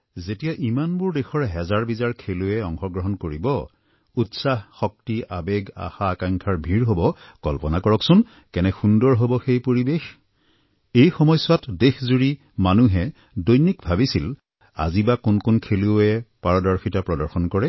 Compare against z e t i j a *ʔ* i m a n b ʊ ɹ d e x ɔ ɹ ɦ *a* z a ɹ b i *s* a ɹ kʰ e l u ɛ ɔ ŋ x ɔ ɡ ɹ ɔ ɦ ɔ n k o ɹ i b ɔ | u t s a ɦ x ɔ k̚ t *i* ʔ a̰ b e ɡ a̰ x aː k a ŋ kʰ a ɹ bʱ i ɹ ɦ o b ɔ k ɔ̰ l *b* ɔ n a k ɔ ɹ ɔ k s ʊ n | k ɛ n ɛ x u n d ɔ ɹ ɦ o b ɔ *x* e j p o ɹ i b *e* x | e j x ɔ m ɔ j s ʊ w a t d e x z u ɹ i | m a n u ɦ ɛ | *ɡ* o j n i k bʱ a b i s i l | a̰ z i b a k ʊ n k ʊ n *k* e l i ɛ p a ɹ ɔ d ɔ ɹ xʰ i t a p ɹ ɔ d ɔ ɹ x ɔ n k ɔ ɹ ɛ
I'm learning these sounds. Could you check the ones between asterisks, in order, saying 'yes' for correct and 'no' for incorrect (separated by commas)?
yes, no, no, yes, no, yes, yes, no, no